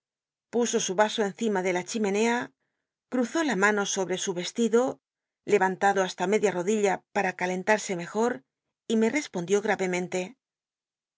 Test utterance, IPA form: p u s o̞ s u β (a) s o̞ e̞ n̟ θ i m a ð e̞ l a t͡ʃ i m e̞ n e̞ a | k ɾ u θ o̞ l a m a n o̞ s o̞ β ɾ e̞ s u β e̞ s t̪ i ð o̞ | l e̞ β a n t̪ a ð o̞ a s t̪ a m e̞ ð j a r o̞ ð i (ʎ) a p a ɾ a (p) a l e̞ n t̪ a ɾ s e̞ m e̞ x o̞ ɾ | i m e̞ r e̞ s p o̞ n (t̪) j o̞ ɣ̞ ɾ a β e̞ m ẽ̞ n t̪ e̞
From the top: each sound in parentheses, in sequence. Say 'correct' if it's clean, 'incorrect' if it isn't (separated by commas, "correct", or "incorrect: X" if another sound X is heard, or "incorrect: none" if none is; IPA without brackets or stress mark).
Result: correct, correct, incorrect: k, incorrect: d̪